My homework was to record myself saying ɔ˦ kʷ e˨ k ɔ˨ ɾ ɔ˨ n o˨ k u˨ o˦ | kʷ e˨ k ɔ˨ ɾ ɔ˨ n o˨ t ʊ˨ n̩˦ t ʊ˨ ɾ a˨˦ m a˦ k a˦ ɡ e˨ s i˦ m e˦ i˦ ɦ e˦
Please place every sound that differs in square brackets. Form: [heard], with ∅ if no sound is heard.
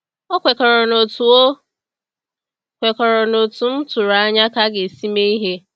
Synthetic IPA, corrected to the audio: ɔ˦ kʷ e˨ k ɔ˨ ɾ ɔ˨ n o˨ [t] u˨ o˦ | kʷ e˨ k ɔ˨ ɾ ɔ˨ n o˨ t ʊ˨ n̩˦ t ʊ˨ ɾ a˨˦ [ɲ] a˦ k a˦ ɡ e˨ s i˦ m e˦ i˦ ɦ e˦